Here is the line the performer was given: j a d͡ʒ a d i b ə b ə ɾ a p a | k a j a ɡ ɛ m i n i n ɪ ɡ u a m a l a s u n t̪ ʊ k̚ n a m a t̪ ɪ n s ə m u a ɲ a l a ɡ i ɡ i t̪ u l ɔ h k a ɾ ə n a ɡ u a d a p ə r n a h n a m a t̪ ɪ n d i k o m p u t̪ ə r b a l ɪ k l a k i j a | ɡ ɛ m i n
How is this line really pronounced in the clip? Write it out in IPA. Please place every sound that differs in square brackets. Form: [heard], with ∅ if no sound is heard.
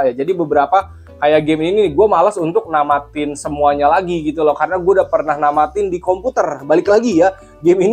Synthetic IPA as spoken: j a d͡ʒ a d i b ə b ə ɾ a p a | k a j a ɡ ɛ m i n i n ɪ ɡ u a m a l a s u n t̪ ʊ k̚ n a m a t̪ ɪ n s ə m u a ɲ a l a ɡ i ɡ i t̪ u l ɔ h k a ɾ ə n a ɡ u a d a p ə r n a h n a m a t̪ ɪ n d i k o m p u t̪ ə r b a l ɪ k l a [ɡ] i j a | ɡ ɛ m i n